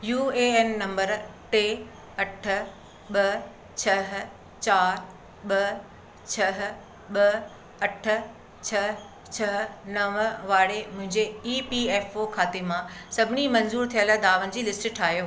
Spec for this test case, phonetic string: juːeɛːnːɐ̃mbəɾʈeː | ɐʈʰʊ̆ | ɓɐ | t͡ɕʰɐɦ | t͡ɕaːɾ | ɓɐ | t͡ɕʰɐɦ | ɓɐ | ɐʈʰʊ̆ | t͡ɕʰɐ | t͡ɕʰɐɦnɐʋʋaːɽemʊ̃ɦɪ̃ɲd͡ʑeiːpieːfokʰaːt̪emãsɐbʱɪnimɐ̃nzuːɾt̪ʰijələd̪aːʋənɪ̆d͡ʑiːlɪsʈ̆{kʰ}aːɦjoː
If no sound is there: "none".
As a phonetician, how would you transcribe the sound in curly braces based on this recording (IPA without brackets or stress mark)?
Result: ʈʰ